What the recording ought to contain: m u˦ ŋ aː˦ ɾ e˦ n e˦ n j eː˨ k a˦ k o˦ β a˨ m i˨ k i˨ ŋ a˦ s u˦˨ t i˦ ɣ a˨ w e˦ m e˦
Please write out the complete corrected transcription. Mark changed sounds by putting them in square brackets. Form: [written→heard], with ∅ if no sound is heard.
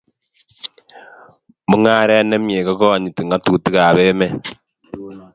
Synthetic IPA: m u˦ ŋ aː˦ ɾ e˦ n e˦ [n→m] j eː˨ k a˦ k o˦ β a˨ [m→ɲ] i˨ [k→t] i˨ ŋ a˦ [s→t] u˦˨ t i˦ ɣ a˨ [w→β] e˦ m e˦

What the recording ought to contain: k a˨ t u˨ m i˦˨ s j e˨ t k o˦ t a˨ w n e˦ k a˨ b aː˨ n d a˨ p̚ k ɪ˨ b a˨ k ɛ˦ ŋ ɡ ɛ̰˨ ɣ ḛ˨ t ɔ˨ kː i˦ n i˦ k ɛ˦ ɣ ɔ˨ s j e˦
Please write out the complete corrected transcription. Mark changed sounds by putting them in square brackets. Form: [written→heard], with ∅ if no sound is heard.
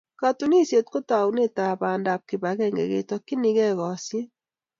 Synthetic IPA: k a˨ t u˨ [m→n] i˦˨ s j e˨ t k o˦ t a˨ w n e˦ [k→t] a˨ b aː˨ n d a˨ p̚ k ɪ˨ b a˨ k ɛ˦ ŋ ɡ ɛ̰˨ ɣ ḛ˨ t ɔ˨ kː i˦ n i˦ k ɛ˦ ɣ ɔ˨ s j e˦

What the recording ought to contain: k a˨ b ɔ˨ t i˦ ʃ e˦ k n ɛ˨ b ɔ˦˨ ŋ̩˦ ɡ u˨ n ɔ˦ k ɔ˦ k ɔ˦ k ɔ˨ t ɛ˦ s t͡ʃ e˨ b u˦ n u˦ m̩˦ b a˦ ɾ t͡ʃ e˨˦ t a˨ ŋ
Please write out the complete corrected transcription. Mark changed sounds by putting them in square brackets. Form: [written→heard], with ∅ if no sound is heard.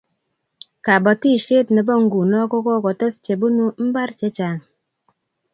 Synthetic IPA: k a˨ b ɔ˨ t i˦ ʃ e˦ [k→t] n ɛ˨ b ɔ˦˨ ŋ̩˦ ɡ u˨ n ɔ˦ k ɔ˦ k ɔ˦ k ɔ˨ t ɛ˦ s t͡ʃ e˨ b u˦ n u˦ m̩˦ b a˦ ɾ t͡ʃ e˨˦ [t→t͡ʃ] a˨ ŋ

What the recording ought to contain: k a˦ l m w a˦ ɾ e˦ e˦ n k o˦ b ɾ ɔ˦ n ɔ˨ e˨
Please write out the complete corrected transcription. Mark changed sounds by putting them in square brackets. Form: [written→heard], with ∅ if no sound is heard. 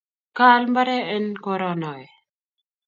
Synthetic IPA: k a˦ l m [w→b] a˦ ɾ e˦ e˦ n k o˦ [b→∅] ɾ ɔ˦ n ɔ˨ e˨

